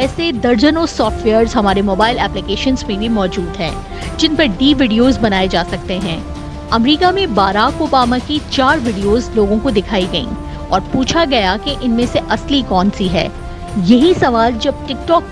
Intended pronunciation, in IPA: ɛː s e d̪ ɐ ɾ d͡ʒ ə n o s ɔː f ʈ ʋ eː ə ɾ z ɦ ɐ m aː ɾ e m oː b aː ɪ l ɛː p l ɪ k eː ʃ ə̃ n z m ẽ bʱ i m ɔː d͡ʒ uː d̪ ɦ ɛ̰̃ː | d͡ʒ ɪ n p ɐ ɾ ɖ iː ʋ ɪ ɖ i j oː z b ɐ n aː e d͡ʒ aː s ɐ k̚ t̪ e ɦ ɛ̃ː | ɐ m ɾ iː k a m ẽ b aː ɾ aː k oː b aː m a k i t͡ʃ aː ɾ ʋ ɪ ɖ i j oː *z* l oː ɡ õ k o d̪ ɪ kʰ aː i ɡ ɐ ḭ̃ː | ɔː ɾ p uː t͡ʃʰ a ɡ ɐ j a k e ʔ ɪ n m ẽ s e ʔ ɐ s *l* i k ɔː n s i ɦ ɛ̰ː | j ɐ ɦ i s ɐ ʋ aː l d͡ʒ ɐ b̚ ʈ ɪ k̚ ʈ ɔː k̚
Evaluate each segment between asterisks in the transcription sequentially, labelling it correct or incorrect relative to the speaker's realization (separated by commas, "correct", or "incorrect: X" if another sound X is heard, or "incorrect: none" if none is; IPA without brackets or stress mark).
correct, correct